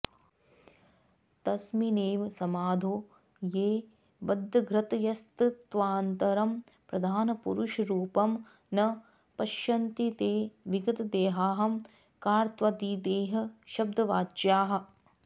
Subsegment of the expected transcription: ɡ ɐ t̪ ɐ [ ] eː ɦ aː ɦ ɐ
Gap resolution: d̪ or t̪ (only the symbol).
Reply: d̪